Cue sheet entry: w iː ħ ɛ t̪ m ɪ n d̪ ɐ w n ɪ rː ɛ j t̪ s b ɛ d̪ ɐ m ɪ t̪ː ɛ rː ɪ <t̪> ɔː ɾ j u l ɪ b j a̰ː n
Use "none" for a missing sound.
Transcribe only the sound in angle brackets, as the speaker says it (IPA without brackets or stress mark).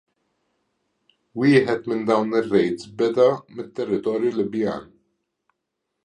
t̪